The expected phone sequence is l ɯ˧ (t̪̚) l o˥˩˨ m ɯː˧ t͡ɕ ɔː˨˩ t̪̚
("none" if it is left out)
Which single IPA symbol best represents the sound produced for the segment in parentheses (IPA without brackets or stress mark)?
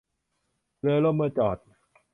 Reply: none